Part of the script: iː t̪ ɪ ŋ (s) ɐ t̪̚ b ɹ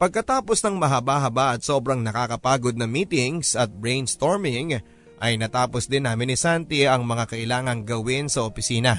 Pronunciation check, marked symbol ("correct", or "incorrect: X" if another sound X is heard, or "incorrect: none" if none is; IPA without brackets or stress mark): correct